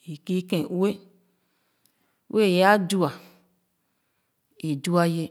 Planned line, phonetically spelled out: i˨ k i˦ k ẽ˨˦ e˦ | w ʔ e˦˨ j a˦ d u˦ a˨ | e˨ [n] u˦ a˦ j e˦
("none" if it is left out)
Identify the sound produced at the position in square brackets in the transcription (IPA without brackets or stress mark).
d